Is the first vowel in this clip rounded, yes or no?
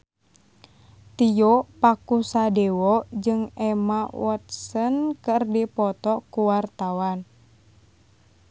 no